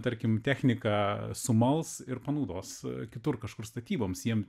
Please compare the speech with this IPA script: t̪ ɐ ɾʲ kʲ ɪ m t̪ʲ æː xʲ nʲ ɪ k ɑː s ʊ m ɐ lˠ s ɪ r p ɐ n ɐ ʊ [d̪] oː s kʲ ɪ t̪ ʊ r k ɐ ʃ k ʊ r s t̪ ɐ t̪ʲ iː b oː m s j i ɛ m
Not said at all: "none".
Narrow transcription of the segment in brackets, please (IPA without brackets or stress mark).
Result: d̪